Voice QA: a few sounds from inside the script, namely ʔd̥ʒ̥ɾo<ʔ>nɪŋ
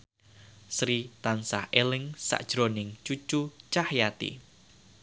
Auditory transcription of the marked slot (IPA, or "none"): none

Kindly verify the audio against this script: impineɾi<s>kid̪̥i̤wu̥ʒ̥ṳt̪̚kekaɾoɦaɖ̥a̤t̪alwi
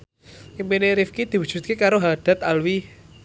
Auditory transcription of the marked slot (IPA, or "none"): f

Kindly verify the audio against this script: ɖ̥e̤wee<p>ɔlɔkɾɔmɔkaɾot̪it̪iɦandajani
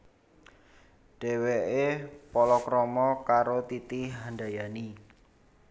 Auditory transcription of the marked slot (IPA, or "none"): p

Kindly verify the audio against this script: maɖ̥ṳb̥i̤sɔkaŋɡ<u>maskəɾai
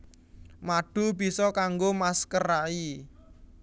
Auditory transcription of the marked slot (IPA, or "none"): o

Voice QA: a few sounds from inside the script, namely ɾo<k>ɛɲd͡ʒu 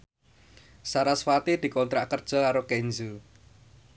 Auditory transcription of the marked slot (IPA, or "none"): k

